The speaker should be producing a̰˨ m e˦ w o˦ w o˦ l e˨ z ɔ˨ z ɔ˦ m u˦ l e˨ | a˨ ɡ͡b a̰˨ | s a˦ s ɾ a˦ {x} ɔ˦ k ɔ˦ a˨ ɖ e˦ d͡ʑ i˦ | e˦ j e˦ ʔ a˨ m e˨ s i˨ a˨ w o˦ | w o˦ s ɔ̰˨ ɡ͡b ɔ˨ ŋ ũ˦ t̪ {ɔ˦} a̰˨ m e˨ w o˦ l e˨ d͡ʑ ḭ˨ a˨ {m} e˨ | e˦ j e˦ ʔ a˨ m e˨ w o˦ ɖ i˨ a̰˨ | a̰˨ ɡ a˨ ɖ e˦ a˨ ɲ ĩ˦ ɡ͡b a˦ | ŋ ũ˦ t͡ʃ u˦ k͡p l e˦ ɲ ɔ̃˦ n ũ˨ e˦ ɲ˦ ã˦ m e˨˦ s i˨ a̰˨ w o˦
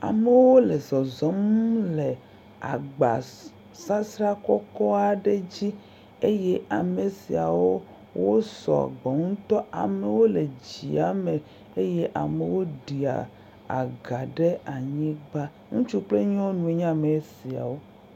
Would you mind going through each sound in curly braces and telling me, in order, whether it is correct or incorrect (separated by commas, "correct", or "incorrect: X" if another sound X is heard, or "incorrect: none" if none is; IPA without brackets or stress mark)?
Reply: incorrect: k, correct, correct